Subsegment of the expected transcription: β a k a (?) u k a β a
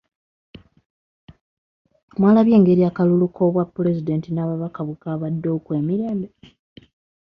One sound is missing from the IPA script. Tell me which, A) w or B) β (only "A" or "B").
B